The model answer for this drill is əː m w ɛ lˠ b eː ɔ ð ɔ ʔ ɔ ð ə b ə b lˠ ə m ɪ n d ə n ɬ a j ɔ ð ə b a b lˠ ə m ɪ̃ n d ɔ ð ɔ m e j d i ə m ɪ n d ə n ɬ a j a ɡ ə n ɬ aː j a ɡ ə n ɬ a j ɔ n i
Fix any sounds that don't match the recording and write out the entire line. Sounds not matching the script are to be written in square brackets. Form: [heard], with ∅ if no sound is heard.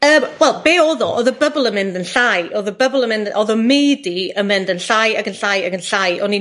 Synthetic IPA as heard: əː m w ɛ lˠ b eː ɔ ð ɔ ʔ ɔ ð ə b ə b lˠ ə m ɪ n d ə n ɬ a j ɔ ð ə b [ə] b lˠ ə m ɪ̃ n d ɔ ð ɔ m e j d i ə m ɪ n d ə n ɬ a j a ɡ ə n ɬ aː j a ɡ ə n ɬ a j ɔ n i